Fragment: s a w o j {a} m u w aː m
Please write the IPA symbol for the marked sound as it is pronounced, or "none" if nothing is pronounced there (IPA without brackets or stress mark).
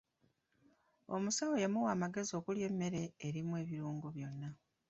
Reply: a